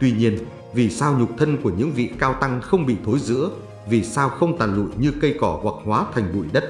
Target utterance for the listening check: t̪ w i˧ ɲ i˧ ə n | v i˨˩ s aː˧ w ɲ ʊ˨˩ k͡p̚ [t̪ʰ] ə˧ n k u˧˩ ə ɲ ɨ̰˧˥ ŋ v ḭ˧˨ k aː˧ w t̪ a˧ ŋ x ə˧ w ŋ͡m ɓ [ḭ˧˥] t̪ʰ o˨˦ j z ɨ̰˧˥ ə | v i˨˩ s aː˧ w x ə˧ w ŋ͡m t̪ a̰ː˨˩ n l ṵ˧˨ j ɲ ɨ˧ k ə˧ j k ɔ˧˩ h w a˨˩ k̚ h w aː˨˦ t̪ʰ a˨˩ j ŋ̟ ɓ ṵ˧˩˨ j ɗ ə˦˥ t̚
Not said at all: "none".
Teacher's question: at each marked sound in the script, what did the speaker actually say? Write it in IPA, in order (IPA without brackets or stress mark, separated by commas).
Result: t̪ʰ, ḭ˧˨